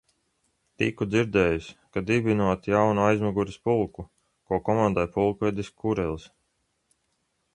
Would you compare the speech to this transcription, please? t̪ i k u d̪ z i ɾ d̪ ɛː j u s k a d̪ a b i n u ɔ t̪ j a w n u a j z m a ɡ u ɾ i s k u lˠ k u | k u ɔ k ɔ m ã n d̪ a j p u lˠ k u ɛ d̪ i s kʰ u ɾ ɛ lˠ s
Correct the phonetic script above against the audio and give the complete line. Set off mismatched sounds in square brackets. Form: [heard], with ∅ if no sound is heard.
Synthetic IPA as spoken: t̪ i k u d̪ z i ɾ d̪ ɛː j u s k a d̪ [i] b i n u ɔ t̪ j a w n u a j z m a ɡ u ɾ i s [p] u lˠ k u | k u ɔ k ɔ m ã n d̪ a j p u lˠ k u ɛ d̪ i s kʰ u ɾ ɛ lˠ s